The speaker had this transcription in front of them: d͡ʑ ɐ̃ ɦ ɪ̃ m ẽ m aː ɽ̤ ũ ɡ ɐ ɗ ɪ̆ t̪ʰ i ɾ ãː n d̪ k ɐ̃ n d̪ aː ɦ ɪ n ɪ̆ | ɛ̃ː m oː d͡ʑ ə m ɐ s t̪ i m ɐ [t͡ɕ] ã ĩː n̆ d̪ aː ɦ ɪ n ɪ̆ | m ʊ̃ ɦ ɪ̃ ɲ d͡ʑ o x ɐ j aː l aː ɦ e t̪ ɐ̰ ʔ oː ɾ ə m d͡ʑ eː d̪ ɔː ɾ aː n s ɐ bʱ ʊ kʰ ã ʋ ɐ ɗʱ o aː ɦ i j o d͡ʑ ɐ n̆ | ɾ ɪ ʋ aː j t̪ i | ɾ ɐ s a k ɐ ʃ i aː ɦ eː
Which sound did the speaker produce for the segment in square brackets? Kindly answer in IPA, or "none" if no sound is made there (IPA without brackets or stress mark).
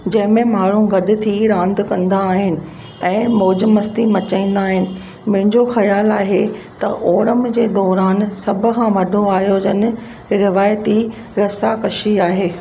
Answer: t͡ɕ